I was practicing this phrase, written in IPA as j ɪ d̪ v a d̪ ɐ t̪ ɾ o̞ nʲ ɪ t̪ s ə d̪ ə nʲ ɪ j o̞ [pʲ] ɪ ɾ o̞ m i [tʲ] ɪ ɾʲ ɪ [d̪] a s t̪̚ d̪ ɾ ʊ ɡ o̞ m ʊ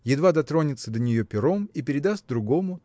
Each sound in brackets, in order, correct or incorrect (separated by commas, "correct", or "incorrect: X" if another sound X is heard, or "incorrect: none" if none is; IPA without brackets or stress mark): correct, incorrect: pʲ, correct